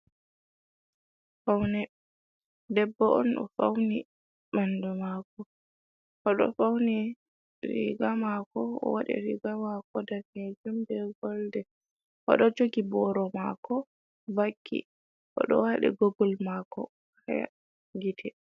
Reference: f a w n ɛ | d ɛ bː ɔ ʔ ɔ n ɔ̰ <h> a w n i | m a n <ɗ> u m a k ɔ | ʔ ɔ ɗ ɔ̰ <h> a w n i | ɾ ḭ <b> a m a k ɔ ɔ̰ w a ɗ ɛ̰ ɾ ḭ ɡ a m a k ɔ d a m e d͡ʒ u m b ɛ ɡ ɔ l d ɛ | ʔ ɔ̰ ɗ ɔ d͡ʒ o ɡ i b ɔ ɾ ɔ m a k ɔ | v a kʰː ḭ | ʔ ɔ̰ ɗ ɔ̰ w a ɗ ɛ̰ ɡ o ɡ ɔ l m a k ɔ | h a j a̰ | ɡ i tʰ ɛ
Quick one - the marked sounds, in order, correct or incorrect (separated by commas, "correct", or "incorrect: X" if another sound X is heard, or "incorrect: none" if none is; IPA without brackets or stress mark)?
incorrect: f, incorrect: d, incorrect: f, incorrect: ɡ